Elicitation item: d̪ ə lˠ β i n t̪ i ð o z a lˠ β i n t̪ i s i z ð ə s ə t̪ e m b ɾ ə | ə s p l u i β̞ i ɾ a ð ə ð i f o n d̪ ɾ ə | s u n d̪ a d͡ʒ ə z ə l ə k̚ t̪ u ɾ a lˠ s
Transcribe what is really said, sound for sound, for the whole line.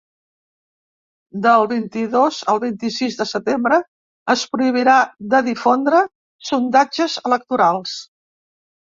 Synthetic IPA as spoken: d̪ ə lˠ β i n t̪ i ð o z ə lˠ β i n t̪ i s i z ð ə s ə t̪ e m b ɾ ə | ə s p ɾ u i β̞ i ɾ a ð ə ð i f o n d̪ ɾ ə | s u n d̪ a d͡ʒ ə z ə l ə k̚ t̪ u ɾ a lˠ s